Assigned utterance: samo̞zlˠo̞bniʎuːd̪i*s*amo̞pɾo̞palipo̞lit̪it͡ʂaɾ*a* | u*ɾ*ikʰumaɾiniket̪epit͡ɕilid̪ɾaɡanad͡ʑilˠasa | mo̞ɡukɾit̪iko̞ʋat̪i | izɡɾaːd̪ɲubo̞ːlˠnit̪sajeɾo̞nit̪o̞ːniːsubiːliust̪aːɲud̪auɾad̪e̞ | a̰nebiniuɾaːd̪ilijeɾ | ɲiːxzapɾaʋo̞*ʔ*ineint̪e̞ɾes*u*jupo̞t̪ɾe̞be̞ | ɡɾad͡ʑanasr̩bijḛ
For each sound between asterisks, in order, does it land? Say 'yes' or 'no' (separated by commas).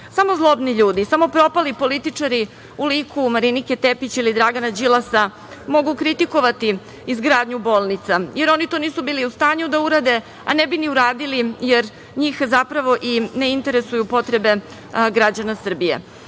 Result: yes, no, no, yes, yes